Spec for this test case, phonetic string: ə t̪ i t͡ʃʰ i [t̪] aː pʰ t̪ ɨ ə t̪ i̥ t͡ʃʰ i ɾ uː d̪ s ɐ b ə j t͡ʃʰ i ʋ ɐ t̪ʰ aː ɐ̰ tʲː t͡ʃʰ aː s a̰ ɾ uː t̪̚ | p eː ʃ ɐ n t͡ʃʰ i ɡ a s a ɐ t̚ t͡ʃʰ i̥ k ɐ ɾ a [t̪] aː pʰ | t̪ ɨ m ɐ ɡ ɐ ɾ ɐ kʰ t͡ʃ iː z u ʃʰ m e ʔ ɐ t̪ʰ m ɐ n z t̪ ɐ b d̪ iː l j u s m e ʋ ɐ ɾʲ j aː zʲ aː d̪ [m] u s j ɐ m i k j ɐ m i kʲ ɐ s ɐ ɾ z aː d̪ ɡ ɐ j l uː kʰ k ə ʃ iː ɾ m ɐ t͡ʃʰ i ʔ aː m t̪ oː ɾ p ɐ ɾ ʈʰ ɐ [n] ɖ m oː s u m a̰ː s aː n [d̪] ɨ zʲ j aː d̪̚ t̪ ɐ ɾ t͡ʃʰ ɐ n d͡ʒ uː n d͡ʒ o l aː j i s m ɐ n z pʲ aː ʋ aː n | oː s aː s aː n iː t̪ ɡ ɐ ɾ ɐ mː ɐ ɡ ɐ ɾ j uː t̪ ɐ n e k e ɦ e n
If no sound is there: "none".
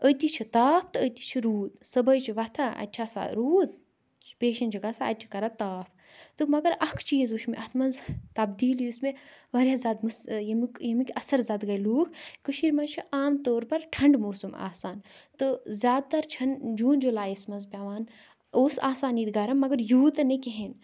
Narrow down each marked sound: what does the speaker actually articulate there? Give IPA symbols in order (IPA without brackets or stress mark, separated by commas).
t̪, t̪, m, ɳ, t̪